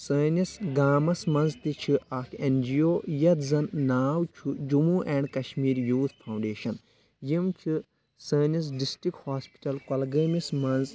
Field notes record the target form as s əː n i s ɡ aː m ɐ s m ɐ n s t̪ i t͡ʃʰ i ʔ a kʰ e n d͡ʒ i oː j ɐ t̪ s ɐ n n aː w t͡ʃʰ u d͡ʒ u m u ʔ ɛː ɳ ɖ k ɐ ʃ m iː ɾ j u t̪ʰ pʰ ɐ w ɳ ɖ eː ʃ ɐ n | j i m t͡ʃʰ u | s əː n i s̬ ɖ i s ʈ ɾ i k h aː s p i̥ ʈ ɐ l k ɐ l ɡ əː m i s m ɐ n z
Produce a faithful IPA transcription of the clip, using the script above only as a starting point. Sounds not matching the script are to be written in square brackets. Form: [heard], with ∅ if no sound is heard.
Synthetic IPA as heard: s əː n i s ɡ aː m ɐ s m ɐ n [z] t̪ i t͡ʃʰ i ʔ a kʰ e n d͡ʒ i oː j ɐ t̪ [z] ɐ n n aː w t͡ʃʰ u d͡ʒ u m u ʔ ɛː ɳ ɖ k ɐ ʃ m iː ɾ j [uː] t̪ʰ pʰ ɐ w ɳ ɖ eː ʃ ɐ n | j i m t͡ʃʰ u | s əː n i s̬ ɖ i s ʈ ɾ i k h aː s p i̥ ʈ ɐ l k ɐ l ɡ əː m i s m ɐ n z